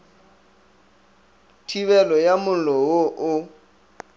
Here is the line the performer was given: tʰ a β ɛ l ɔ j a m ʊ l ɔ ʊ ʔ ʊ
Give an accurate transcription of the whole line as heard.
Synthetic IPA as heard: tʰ i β ɛ l ɔ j a m ʊ l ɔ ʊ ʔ ʊ